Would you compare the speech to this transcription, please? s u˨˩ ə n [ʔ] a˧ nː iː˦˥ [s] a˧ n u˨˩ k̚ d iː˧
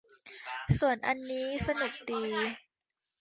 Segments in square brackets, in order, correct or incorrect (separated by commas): correct, correct